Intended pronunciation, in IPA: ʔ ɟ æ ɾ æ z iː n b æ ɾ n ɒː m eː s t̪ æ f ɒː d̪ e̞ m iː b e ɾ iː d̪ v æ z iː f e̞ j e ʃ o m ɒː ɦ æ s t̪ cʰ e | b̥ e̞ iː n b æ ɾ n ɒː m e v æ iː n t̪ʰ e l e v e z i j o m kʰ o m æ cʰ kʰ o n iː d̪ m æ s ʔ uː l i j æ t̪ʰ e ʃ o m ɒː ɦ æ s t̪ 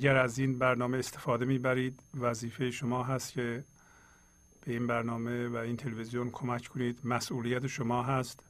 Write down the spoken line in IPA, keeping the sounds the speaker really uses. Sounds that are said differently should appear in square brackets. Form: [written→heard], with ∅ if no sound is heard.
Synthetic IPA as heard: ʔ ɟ æ ɾ æ z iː n b æ ɾ n ɒː m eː s t̪ [æ→e] f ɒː d̪ e̞ m iː b [e→æ] ɾ iː d̪ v æ z iː f e̞ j e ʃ o m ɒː ɦ æ s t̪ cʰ e | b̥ e̞ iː n b æ ɾ n ɒː m e v æ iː n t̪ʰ e l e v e z i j o [m→n] kʰ o m æ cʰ kʰ o n iː d̪ m æ s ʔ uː l i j æ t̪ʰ e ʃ o m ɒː ɦ æ s t̪